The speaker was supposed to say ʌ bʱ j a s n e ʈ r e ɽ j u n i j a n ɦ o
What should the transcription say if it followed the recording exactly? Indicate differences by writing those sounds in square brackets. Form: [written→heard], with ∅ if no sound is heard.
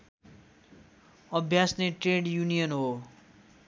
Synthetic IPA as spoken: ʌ bʱ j a s n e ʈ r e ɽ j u n i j [a→ʌ] n ɦ o